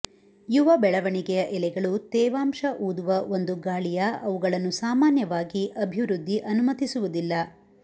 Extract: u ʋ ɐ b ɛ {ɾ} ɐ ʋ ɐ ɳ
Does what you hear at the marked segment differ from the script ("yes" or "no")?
yes